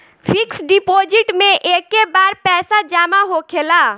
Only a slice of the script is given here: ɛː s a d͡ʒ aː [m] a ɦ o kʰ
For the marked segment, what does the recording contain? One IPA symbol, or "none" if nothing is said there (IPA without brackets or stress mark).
m